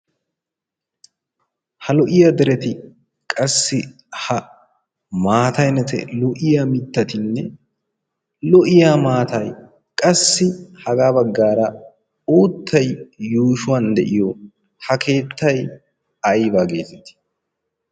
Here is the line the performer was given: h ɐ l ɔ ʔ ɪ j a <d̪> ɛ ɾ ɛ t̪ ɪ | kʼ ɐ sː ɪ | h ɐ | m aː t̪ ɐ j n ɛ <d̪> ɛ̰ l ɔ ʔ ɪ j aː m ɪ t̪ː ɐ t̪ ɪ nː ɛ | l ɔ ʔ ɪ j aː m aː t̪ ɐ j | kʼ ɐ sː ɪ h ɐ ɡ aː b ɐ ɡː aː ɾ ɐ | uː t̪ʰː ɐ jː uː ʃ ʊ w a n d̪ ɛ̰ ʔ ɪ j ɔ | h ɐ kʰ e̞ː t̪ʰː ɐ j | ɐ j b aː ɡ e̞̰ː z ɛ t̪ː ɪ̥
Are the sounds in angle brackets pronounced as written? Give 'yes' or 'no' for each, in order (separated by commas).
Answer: yes, no